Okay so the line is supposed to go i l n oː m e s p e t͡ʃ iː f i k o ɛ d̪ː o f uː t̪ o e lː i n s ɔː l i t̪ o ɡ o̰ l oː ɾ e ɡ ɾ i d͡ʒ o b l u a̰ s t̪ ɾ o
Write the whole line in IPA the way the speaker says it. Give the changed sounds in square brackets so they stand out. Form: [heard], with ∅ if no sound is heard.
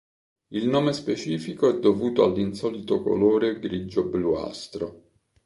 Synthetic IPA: i l n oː m e s p e t͡ʃ iː f i k o ɛ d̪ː o [v] uː t̪ o [a] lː i n s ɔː l i t̪ o [k] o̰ l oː ɾ e ɡ ɾ i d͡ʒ o b l u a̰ s t̪ ɾ o